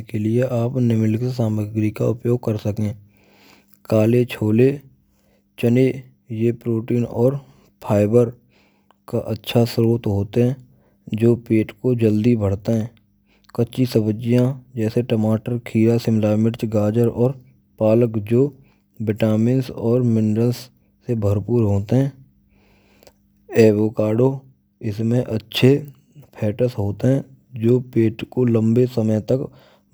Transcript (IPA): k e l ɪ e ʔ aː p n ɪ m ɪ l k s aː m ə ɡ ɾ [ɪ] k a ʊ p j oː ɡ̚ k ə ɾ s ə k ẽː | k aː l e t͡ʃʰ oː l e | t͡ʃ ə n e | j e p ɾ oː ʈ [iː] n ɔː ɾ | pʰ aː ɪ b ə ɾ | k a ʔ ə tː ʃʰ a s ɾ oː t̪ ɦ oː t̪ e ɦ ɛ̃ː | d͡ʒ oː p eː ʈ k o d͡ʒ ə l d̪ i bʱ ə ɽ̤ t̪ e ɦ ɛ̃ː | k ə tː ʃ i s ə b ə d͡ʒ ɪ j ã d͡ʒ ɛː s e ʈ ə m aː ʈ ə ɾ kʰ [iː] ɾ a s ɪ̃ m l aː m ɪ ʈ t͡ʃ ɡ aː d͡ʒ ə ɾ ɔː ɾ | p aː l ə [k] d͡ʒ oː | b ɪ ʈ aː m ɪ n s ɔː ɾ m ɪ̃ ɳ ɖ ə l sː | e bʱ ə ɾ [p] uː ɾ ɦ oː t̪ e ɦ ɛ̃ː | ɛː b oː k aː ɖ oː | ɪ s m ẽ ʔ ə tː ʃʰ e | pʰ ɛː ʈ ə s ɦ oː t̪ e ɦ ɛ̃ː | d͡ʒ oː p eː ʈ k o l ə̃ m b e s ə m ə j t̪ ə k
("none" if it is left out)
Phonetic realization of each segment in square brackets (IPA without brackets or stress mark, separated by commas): i, iː, iː, k, p